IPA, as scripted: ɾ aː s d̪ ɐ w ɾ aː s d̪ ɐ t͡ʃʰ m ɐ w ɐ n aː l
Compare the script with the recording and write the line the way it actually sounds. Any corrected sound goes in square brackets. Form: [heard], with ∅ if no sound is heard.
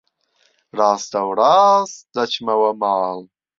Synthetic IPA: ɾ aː s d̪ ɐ w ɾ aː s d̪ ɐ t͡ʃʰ m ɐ w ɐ [m] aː l